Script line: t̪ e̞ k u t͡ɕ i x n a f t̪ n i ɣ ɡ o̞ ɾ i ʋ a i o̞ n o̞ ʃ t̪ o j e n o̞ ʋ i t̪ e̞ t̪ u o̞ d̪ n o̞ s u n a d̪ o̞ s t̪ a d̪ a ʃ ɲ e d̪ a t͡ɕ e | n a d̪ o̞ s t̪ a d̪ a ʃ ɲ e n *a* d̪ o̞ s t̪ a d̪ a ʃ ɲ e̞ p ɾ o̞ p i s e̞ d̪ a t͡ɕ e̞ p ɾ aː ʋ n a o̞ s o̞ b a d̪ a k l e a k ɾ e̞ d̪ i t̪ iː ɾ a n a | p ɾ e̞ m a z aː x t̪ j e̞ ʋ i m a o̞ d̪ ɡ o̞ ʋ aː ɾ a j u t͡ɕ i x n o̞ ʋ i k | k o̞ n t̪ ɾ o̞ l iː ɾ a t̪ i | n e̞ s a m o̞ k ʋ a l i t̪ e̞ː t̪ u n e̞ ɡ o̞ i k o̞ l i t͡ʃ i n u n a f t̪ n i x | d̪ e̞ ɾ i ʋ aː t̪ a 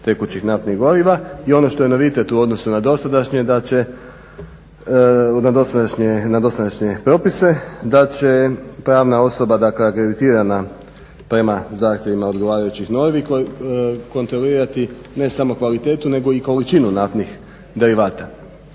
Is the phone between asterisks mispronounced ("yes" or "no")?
no